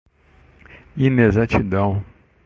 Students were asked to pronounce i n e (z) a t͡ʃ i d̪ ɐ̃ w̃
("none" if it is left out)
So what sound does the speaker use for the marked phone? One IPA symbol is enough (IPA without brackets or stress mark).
z